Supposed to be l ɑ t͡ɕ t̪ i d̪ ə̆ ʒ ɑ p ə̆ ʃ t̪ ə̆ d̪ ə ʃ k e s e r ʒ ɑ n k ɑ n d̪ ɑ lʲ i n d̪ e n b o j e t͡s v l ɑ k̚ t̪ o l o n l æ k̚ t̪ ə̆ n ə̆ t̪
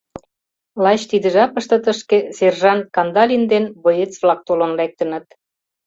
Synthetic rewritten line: l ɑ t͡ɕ t̪ i d̪ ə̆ ʒ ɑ p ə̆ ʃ t̪ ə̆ t̪ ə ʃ k e s e r ʒ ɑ n k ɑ n d̪ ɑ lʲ i n d̪ e n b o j e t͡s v l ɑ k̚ t̪ o l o n l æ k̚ t̪ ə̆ n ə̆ t̪